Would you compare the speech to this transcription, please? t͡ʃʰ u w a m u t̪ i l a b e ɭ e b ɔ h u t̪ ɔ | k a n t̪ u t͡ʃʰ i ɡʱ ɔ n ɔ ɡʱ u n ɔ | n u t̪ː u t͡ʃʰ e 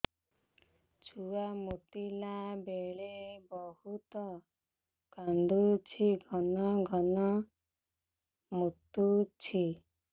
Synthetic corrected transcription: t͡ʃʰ u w a m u t̪ i l a b e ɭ e b ɔ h u t̪ ɔ | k a n d̪ u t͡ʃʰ i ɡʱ ɔ n ɔ ɡʱ ɔ n ɔ | m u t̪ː u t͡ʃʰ i

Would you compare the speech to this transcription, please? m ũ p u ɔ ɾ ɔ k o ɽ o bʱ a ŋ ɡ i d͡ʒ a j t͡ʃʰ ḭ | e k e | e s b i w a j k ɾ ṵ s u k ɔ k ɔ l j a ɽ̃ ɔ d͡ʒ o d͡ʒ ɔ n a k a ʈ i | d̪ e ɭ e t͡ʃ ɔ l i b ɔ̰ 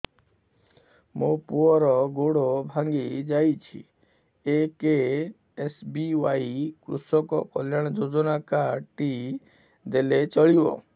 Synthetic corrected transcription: m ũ p u ɔ ɾ ɔ ɡ o ɽ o bʱ a ŋ ɡ i d͡ʒ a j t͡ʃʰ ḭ | e k e | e s b i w a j k ɾ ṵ s ɔ k ɔ k ɔ l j a ɽ̃ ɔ d͡ʒ o d͡ʒ ɔ n a k a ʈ i | d̪ e l e t͡ʃ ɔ ɭ i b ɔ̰

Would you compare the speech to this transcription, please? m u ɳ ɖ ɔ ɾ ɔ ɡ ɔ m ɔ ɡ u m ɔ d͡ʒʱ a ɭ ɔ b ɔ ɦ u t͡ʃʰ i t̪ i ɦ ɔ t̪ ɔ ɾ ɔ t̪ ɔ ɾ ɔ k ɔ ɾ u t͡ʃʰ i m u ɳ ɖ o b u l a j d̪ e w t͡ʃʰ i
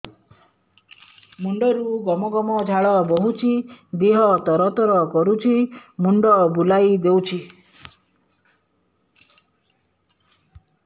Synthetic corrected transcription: m u ɳ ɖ ɔ ɾ u ɡ ɔ m ɔ ɡ ɔ m ɔ d͡ʒʱ a ɭ ɔ b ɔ ɦ u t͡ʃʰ i d̪ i ɦ ɔ t̪ ɔ ɾ ɔ t̪ ɔ ɾ ɔ k ɔ ɾ u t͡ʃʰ i m u ɳ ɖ ɔ b u l a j d̪ e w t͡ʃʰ i

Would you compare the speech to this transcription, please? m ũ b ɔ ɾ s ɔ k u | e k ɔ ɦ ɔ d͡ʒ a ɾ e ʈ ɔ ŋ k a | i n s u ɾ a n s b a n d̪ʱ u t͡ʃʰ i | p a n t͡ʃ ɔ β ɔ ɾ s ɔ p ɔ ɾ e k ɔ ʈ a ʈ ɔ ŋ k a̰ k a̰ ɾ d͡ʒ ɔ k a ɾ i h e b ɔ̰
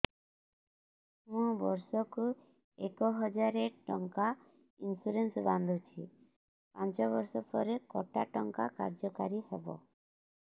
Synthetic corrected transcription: m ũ b ɔ ɾ s ɔ k u | e k ɔ ɦ ɔ d͡ʒ a ɾ e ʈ ɔ ŋ k a | i n s u ɾ e n s b a n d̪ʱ u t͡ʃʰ i | p a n t͡ʃ ɔ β ɔ ɾ s ɔ p ɔ ɾ e k ɔ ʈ a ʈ ɔ ŋ k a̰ k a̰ ɾ d͡ʒ ɔ k a ɾ i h e b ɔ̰

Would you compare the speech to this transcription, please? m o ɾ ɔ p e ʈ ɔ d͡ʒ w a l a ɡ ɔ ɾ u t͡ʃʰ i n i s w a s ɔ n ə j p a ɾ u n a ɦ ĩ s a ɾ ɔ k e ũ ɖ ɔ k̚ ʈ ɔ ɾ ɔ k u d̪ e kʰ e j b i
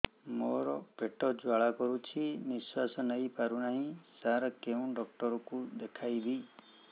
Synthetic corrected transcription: m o ɾ ɔ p e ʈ ɔ d͡ʒ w a ɭ a k ɔ ɾ u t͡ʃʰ i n i s w a s ɔ n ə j p a ɾ u n a ɦ ĩ s a ɾ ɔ k e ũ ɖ ɔ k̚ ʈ ɔ ɾ ɔ k u d̪ e kʰ a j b i

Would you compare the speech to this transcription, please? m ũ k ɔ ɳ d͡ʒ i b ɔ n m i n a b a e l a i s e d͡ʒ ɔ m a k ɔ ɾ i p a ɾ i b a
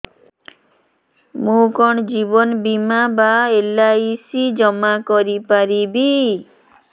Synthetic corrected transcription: m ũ k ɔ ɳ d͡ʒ i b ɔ n b i m a b a e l a i s i d͡ʒ ɔ m a k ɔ ɾ i p a ɾ i b i

